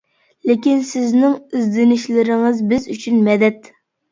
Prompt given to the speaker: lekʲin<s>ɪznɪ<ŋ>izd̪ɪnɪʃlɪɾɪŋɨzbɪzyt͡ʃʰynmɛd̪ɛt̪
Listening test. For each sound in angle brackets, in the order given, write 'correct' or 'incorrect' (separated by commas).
correct, correct